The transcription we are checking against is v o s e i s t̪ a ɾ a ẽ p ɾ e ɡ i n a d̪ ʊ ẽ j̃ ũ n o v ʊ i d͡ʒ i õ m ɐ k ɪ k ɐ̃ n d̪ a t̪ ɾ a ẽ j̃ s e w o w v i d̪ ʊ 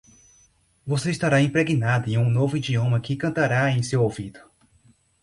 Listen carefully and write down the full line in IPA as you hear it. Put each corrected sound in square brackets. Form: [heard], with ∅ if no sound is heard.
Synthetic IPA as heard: v o s e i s t̪ a ɾ a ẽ p ɾ e ɡ i n a d̪ ʊ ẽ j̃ ũ n o v ʊ i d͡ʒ i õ m ɐ k ɪ k ɐ̃ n [t̪] a [∅] ɾ a ẽ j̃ s e w o w v i d̪ ʊ